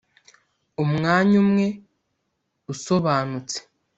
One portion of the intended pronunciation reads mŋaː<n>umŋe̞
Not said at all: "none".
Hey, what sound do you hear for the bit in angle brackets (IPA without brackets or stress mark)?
ɲ